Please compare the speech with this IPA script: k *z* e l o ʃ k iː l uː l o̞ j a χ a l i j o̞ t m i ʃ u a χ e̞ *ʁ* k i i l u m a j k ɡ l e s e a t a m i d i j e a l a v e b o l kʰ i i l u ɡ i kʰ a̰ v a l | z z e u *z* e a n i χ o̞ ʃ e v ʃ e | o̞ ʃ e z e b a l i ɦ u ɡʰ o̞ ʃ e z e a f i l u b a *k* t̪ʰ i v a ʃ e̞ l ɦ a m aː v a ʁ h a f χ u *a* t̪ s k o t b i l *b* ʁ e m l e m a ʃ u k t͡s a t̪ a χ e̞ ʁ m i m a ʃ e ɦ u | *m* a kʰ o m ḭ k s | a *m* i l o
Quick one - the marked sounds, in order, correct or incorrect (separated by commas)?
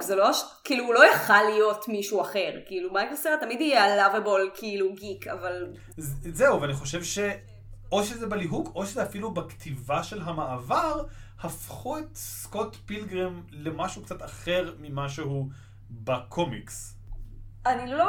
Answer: correct, correct, incorrect, correct, incorrect, incorrect, incorrect, incorrect